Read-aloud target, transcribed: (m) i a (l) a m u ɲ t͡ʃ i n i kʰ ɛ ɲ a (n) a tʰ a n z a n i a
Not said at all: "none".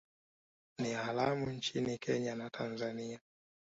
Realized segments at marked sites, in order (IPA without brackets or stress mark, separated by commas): n, l, n